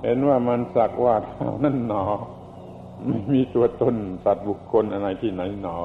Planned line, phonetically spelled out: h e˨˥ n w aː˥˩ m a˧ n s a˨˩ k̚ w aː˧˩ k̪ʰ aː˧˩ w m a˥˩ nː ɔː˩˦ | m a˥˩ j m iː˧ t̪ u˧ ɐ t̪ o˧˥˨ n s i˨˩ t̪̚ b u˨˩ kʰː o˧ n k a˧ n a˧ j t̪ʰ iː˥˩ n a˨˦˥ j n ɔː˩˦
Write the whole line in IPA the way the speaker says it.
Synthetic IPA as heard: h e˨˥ n w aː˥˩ m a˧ n s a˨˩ k̚ w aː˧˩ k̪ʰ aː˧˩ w n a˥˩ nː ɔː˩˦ | m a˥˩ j m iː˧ t̪ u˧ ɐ t̪ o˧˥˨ n s a˨˩ t̪̚ b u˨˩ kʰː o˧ n ʔ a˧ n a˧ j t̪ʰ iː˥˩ n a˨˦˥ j n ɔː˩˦